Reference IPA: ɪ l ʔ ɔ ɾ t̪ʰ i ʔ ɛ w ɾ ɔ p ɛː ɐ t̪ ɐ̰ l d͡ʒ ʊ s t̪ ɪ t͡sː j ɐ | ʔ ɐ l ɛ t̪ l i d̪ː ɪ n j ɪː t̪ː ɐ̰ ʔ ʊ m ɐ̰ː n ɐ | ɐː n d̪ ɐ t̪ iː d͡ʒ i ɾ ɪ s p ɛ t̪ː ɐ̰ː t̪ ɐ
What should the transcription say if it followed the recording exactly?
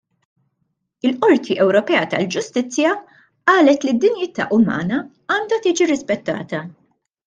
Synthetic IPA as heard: ɪ l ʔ ɔ ɾ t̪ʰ i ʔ ɛ w ɾ ɔ p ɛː ɐ t̪ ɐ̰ l d͡ʒ ʊ s t̪ ɪ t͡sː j ɐ | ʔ ɐː l ɛ t̪ l i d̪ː ɪ n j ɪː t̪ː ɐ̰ ʔ ʊ m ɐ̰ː n ɐ | ɐː n d̪ ɐ t̪ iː d͡ʒ i ɾ ɪ s p ɛ t̪ː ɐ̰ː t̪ ɐ